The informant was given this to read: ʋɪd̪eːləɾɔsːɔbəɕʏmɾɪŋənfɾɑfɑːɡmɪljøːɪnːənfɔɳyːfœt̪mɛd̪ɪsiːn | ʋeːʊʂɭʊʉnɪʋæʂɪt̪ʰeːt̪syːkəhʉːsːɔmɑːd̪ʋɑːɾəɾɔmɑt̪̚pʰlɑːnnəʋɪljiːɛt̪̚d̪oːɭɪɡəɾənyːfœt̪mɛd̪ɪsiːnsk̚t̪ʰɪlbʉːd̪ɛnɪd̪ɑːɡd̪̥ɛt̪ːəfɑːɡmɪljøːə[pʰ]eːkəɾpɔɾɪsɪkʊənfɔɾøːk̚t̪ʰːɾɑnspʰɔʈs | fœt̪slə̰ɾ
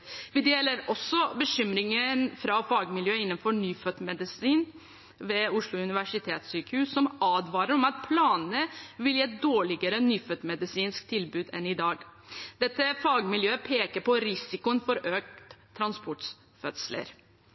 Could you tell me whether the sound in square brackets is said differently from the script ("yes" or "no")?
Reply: no